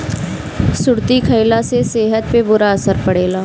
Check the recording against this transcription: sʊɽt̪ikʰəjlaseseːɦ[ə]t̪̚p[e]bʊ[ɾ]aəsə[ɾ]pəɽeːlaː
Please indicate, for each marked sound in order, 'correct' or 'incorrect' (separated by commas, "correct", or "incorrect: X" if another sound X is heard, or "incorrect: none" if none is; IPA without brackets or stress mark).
correct, correct, correct, correct